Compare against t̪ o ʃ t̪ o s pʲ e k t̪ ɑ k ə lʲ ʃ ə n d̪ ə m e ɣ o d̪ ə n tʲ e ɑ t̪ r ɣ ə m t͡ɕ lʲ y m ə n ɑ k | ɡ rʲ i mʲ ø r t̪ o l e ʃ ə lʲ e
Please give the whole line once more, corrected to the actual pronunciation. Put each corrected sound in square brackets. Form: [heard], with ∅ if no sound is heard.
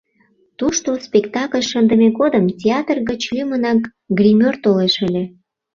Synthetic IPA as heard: t̪ [u] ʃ t̪ o s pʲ e k t̪ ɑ k ə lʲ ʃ ə n d̪ ə m e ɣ o d̪ ə [m] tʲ e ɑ t̪ r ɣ ə [∅] t͡ɕ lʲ y m ə n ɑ k | ɡ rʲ i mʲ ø r t̪ o l e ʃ ə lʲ e